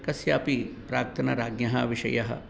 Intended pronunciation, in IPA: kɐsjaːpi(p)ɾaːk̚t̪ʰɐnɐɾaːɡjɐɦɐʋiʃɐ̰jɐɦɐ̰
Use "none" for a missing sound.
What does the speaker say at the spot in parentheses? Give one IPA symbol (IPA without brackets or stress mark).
p